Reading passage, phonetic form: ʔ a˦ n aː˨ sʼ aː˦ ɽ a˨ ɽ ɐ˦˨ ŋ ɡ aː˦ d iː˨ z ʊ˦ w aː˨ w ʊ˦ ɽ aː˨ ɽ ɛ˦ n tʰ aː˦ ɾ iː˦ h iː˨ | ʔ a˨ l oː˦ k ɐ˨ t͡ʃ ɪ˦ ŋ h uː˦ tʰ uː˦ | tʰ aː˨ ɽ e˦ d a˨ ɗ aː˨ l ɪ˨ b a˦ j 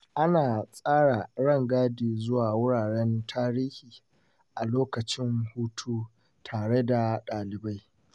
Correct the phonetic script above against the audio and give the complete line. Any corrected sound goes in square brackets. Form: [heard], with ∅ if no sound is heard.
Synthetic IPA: ʔ a˦ n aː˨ sʼ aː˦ ɽ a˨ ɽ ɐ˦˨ ŋ ɡ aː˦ d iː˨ z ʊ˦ w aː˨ w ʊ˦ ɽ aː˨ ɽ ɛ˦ n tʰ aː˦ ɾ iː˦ h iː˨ | ʔ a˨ l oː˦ k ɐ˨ t͡ʃ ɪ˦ ŋ h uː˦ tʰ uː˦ | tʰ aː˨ ɽ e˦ d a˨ ɗ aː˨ l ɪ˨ b a˦ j